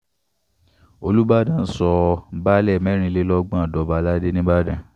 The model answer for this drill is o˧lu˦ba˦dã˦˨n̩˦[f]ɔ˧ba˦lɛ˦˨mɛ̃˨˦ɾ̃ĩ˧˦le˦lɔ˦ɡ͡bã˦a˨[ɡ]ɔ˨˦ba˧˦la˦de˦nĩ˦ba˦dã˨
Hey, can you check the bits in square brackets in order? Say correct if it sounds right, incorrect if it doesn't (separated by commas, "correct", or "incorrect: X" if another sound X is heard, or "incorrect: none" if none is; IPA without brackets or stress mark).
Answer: incorrect: s, incorrect: d